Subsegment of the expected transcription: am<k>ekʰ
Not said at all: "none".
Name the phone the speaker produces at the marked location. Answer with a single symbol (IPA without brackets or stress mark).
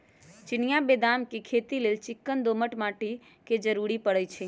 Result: k